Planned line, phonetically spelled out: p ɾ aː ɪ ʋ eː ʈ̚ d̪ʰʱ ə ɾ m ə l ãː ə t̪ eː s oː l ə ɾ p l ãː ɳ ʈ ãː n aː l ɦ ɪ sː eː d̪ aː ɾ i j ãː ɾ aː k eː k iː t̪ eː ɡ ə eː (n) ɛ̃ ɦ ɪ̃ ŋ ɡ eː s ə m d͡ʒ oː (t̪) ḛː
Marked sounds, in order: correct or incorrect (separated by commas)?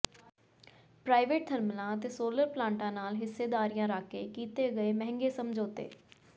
incorrect, correct